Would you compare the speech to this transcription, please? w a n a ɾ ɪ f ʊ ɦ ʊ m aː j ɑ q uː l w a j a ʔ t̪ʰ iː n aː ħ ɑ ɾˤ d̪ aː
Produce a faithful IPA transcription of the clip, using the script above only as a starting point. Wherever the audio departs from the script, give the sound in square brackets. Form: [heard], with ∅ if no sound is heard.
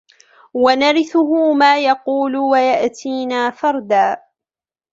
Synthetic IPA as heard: w a n a ɾ ɪ [θ] ʊ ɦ ʊ m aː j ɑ q uː l w a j a ʔ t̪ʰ iː n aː [f] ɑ ɾˤ d̪ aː